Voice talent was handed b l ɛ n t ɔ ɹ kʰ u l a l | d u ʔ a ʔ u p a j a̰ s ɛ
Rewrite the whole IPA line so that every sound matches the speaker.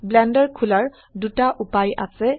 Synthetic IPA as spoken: b l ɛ n d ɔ ɹ kʰ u l a ɹ | d u t a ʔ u p a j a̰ s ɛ